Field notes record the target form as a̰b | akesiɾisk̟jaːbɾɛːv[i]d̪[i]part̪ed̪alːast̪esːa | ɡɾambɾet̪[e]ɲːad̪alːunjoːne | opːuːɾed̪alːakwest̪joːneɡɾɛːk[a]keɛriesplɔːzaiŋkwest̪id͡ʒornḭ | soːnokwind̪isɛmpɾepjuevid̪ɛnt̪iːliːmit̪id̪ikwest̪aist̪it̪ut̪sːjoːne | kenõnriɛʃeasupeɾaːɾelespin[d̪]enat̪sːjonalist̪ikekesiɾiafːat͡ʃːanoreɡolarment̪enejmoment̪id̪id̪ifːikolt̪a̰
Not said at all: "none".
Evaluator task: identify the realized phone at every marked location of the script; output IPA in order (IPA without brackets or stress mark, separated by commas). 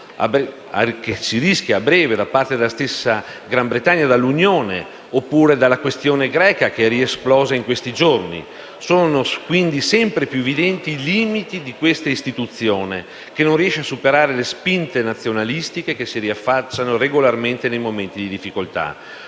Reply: e, a, a, a, t̪